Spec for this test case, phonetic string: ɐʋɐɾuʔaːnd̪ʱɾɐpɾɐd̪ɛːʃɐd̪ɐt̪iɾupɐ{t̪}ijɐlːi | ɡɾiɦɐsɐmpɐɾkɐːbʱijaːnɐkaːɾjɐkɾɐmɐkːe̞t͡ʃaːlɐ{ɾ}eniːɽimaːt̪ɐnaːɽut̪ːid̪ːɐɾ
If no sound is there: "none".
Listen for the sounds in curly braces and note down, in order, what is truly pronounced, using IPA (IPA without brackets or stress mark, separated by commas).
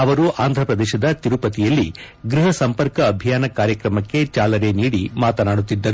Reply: t̪, ɾ